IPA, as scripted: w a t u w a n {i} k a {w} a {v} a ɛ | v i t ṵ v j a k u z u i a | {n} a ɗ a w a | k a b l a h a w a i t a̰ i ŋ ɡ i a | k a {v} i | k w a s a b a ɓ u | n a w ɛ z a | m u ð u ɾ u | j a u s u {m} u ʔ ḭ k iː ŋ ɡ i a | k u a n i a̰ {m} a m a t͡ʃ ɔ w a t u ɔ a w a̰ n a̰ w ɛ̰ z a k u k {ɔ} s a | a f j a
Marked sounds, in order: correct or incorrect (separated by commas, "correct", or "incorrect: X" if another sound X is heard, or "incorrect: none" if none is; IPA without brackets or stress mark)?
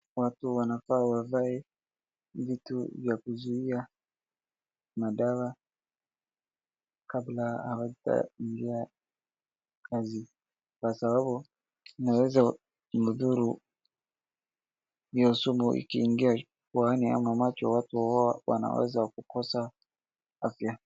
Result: incorrect: a, correct, correct, incorrect: m, incorrect: z, correct, correct, correct